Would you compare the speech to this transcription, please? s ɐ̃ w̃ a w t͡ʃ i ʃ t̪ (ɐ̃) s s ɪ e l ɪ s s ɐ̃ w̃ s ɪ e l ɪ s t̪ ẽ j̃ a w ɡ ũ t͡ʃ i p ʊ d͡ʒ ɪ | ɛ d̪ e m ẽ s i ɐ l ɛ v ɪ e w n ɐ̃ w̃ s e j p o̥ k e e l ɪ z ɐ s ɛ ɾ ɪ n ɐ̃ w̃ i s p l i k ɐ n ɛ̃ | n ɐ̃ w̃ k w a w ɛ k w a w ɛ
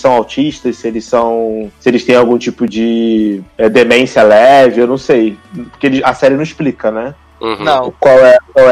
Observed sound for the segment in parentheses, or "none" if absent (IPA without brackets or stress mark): ɐ